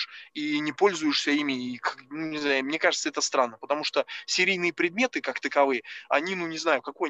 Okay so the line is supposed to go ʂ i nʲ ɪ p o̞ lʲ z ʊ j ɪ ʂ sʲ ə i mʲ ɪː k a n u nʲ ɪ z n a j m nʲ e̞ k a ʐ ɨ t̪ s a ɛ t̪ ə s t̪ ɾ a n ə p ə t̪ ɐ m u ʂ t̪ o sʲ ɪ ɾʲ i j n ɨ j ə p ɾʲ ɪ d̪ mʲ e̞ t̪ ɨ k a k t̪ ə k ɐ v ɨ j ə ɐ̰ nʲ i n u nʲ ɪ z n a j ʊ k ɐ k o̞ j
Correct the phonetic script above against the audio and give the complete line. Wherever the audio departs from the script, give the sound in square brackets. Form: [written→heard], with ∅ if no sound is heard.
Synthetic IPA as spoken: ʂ i nʲ ɪ p o̞ lʲ z ʊ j ɪ ʂ sʲ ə i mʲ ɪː k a n u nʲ ɪ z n a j m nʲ e̞ k a ʐ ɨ t̪ s [a→ə] ɛ t̪ ə s t̪ ɾ a [n→nː] ə p ə t̪ ɐ m u ʂ t̪ o sʲ ɪ ɾʲ i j n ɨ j ə p ɾʲ ɪ d̪ mʲ e̞ t̪ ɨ k a k t̪ ə k ɐ v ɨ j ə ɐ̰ nʲ i n u nʲ ɪ z n a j ʊ k ɐ k o̞ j